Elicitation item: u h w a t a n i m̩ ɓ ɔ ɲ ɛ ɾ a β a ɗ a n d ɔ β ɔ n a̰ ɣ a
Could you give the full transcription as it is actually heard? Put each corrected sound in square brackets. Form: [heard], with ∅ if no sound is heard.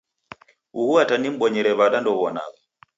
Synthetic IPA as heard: u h [u] a t a n i m̩ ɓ ɔ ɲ ɛ ɾ [ɛ] β a ɗ a n d ɔ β ɔ n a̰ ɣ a